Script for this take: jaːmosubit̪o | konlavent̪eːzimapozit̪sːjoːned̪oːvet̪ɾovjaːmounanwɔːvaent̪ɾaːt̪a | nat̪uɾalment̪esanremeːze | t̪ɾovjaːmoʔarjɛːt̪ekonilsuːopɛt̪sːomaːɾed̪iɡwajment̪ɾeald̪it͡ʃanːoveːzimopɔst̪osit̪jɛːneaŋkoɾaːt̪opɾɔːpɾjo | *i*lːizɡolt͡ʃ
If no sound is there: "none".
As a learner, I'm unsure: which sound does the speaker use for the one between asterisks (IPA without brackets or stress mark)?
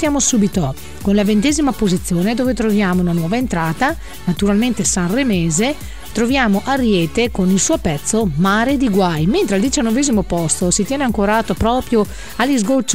a